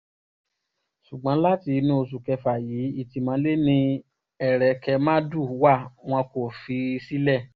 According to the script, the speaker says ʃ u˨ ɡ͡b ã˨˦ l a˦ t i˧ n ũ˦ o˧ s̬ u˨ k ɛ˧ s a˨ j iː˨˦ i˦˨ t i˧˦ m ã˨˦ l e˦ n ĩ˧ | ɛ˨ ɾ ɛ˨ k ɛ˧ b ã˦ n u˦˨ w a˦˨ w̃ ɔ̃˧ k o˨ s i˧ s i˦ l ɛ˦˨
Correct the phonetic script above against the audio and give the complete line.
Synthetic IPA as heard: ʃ u˨ ɡ͡b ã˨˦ l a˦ t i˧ n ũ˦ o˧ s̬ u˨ k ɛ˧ f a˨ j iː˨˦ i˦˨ t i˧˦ m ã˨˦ l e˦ n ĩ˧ | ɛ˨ ɾ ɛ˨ k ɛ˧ m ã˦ d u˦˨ w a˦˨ w̃ ɔ̃˧ k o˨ f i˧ s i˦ l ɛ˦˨